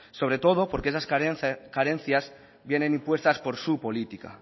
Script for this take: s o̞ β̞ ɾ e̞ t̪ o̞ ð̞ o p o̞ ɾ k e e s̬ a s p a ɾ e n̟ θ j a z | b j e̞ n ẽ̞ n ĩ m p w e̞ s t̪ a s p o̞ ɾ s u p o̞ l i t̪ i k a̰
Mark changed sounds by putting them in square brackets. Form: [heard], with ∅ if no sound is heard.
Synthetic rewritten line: s o̞ β̞ ɾ e̞ t̪ o̞ ð̞ o p o̞ ɾ k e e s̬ a s [k] a ɾ e n̟ θ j a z | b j e̞ n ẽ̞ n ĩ m p w e̞ s t̪ a s p o̞ ɾ s u p o̞ l i t̪ i k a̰